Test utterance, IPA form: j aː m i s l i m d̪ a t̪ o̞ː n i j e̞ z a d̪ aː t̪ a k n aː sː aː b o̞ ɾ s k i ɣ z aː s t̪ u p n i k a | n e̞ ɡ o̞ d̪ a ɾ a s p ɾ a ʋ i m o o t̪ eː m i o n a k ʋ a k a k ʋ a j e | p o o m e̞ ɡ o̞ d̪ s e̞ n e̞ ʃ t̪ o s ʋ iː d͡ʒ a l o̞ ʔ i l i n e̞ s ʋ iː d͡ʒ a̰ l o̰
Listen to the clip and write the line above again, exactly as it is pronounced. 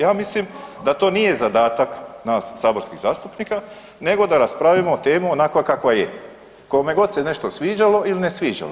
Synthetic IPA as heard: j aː m i s l i m d̪ a t̪ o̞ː n i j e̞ z a d̪ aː t̪ a k n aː sː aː b o̞ ɾ s k i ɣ z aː s t̪ u p n i k a | n e̞ ɡ o̞ d̪ a ɾ a s p ɾ a ʋ i m o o t̪ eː m i o n a k ʋ a k a k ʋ a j e | k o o m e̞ ɡ o̞ d̪ s e̞ n e̞ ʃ t̪ o s ʋ iː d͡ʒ a l o̞ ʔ i l i n e̞ s ʋ iː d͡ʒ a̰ l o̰